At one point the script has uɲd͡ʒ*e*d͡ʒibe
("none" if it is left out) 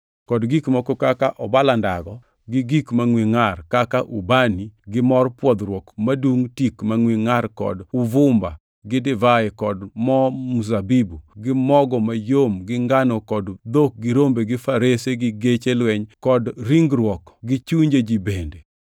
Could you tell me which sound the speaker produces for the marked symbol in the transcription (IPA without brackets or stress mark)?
e